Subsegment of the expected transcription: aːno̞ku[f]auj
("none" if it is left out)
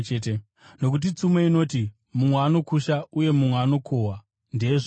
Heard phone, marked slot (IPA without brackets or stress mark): ʃ